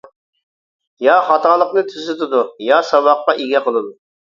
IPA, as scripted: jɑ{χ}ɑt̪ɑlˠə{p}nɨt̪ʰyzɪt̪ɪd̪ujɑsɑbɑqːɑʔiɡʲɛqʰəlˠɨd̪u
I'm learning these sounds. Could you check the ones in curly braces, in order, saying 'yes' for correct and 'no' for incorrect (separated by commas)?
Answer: yes, no